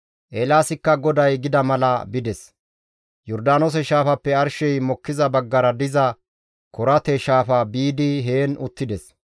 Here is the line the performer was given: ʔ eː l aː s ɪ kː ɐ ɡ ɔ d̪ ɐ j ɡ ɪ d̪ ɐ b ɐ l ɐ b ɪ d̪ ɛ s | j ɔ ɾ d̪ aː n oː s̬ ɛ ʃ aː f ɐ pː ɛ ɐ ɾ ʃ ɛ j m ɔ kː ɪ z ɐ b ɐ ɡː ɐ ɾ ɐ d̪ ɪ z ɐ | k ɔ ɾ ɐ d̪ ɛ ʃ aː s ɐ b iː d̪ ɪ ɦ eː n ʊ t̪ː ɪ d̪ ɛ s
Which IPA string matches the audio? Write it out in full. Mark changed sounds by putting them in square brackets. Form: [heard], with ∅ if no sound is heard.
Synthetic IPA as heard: ʔ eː l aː s ɪ kː ɐ ɡ ɔ d̪ ɐ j ɡ ɪ d̪ ɐ [m] ɐ l ɐ b ɪ d̪ ɛ s | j ɔ ɾ d̪ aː n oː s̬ ɛ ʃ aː f ɐ pː ɛ ɐ ɾ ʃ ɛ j m ɔ kː ɪ z ɐ b ɐ ɡː ɐ ɾ ɐ d̪ ɪ z ɐ | k ɔ ɾ ɐ [t̪] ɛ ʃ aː [f] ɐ b iː d̪ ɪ ɦ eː n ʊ t̪ː ɪ d̪ ɛ s